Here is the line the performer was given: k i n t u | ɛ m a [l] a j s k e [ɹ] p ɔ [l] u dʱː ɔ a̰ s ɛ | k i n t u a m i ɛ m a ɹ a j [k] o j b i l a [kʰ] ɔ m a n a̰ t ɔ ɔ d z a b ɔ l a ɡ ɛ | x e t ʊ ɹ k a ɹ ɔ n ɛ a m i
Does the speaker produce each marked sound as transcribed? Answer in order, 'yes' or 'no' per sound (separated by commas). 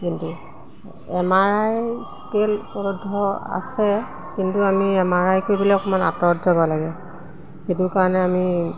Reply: no, no, no, yes, no